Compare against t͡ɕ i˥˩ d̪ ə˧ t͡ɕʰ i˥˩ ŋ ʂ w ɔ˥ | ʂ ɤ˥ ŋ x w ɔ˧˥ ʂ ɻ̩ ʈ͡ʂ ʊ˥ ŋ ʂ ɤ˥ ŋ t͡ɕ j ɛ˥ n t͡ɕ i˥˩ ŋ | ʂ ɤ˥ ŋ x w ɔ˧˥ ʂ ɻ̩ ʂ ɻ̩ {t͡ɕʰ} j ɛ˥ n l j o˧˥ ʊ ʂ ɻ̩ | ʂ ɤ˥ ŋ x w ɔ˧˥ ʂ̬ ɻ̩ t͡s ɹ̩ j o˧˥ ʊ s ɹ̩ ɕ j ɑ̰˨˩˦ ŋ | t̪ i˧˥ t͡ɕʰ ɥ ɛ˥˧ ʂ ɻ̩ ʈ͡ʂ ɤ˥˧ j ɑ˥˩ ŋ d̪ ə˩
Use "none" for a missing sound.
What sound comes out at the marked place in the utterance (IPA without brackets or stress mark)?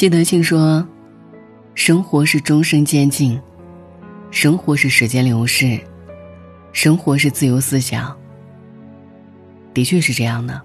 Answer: t͡ɕ